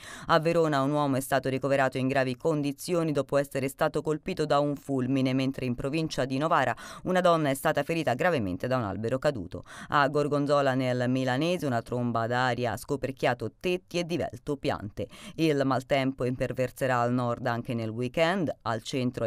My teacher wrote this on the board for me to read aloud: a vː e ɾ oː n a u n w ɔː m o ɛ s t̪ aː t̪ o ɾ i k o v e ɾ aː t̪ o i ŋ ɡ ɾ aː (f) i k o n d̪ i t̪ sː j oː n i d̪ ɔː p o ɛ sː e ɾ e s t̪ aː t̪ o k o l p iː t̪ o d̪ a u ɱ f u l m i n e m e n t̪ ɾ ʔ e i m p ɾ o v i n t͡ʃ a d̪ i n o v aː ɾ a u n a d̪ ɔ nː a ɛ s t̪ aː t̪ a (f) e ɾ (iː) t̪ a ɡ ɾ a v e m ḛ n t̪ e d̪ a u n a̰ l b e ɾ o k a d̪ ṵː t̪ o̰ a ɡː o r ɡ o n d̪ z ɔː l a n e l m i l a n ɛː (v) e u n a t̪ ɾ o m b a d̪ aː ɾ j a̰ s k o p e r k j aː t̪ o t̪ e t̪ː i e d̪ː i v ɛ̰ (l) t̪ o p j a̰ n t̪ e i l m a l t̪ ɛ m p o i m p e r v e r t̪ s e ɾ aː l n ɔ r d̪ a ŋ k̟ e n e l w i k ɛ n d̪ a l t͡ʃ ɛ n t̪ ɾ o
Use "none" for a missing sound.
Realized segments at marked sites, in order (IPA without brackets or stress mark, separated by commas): v, f, iː, z, l